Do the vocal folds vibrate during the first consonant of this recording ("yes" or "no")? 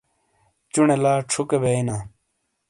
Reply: no